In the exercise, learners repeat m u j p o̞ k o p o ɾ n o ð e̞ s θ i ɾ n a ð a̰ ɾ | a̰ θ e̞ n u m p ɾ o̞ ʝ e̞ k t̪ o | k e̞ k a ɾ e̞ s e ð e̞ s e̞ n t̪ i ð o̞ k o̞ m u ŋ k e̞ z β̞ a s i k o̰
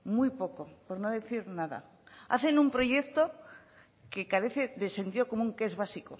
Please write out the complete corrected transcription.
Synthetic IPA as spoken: m u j p o̞ k o p o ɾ n o ð e̞ θ i ɾ n a ð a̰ | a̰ θ e̞ n u m p ɾ o̞ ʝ e̞ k t̪ o | k e̞ k a ɾ e̞ θ e ð e̞ s e̞ n t̪ i ð o̞ k o̞ m u ŋ k e̞ z β̞ a s i k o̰